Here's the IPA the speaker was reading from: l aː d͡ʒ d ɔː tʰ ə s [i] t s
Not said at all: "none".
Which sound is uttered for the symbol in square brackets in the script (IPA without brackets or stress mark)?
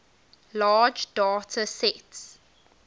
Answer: ɛ